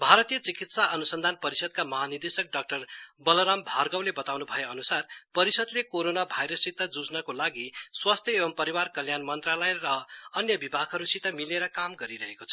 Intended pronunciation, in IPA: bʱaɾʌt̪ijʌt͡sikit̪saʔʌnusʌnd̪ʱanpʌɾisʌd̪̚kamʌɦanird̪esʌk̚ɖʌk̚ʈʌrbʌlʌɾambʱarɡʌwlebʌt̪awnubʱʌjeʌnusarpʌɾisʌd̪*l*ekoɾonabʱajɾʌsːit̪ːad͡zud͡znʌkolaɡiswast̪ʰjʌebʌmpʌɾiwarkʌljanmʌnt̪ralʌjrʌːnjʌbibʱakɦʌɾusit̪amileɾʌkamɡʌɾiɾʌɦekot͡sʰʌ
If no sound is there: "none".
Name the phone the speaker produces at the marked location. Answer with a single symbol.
l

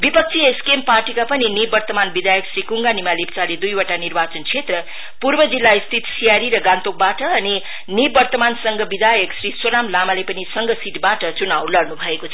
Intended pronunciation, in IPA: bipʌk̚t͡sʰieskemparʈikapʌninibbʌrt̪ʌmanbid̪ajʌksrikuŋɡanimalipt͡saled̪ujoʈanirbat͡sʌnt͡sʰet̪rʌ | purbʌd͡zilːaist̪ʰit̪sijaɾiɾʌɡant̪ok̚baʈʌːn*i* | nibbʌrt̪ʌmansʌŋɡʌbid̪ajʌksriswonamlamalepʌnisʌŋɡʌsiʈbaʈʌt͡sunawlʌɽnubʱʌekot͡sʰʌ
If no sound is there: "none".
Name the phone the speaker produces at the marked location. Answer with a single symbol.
i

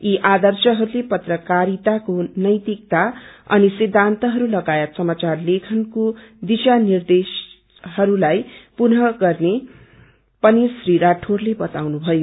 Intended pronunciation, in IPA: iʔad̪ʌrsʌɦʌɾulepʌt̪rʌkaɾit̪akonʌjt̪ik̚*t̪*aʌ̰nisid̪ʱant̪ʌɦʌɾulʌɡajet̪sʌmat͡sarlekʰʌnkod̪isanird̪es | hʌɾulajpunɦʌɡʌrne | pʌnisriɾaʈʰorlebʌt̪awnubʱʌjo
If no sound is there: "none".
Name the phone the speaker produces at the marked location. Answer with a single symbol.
t̪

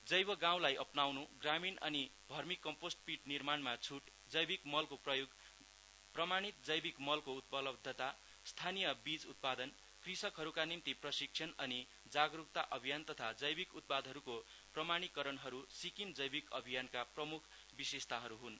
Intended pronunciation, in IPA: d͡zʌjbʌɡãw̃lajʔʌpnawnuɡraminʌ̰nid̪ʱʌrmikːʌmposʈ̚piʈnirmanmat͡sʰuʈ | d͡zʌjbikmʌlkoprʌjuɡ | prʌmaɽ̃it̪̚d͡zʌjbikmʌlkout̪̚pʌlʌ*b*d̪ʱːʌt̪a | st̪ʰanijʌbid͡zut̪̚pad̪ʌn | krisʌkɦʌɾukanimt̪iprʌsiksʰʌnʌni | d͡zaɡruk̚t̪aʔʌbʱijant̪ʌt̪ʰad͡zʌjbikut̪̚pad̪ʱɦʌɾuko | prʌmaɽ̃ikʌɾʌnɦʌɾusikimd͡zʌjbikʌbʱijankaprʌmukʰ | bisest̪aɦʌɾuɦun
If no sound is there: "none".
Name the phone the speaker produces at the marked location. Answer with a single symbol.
b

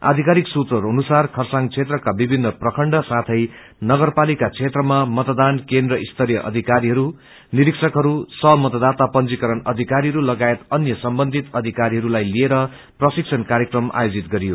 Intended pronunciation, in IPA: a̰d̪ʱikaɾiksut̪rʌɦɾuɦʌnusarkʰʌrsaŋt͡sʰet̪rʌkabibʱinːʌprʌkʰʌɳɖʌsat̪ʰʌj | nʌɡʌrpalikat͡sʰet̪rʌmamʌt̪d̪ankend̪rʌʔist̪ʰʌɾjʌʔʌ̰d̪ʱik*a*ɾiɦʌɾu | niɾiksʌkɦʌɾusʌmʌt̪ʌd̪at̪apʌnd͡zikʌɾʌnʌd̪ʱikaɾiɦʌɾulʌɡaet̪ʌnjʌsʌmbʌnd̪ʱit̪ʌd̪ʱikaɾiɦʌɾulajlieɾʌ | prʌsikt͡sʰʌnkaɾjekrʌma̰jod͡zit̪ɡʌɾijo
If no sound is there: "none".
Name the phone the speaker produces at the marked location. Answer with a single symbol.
a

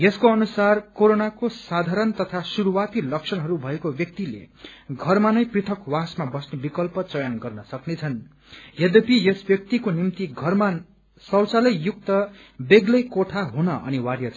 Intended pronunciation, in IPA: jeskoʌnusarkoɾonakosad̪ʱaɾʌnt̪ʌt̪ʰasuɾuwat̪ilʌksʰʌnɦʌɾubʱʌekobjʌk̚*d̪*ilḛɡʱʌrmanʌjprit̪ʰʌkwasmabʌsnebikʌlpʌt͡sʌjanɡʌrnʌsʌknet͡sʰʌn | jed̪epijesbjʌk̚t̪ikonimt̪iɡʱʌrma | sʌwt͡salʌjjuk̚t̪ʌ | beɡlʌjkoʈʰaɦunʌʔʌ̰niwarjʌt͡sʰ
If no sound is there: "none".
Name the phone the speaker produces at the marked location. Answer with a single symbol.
t̪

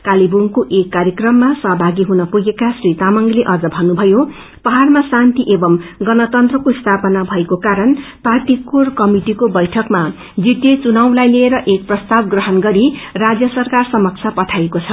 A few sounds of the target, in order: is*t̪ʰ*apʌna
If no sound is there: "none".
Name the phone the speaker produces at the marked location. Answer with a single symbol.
t̪ʰ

